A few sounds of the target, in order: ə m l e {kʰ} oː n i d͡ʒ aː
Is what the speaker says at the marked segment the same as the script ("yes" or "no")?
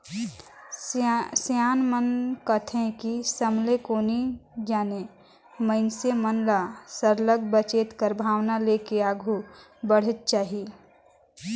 no